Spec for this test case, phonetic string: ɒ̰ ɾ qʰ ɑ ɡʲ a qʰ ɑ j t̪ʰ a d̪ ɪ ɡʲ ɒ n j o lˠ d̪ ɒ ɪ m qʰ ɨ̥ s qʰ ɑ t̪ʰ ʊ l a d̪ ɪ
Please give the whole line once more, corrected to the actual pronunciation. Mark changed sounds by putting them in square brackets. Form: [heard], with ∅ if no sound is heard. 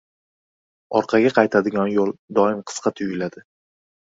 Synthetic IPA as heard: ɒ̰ ɾ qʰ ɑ ɡʲ a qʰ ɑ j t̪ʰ a d̪ ɪ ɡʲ ɒ n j o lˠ d̪ ɒ ɪ m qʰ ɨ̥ s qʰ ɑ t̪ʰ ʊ l a d̪ ɪ